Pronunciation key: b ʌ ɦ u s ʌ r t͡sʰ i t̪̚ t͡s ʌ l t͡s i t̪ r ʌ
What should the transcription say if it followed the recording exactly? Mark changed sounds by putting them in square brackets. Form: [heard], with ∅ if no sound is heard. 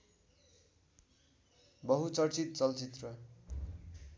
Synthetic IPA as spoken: b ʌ ɦ u [t͡s] ʌ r [t͡s] i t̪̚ t͡s ʌ l t͡s i t̪ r ʌ